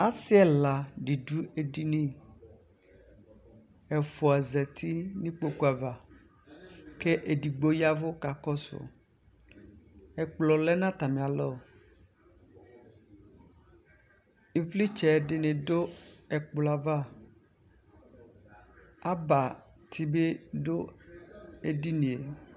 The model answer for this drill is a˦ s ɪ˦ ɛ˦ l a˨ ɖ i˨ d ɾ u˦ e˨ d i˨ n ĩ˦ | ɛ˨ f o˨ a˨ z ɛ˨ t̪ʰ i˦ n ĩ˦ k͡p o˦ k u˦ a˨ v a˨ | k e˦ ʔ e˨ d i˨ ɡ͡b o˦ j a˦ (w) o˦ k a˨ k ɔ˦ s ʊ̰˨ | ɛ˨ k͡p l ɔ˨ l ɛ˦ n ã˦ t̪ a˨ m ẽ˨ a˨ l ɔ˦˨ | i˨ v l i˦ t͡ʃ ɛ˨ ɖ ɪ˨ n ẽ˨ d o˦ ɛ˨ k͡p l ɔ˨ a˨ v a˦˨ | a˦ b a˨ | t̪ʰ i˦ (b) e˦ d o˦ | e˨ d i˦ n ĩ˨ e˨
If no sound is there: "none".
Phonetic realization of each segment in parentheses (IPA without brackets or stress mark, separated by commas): v, b